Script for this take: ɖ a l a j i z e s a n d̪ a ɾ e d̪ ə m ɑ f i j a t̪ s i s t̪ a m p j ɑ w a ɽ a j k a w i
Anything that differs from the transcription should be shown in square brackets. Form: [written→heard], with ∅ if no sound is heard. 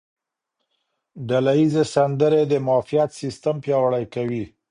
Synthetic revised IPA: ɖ a l a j i z e s a n d̪ [a→ə] ɾ e d̪ ə m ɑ f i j a t̪ s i s t̪ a m p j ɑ w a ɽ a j k a w i